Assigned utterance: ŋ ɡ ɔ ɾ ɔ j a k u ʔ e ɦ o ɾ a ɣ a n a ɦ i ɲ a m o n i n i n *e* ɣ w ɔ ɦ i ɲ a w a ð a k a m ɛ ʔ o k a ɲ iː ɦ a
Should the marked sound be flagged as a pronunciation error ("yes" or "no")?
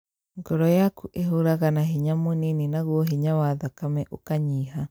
yes